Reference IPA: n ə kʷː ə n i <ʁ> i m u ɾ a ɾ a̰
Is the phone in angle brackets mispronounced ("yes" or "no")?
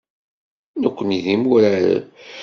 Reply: yes